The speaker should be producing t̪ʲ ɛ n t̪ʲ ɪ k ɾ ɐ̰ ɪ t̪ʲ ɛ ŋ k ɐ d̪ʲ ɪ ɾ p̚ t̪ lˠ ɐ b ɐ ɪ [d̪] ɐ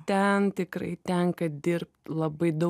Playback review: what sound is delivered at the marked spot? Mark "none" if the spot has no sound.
d̪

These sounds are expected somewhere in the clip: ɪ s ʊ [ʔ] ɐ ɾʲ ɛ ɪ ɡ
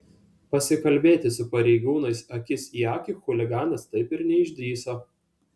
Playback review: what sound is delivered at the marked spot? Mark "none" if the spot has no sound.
p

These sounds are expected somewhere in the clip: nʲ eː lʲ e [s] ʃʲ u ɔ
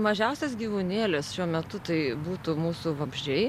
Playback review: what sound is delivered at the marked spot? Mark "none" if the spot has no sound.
s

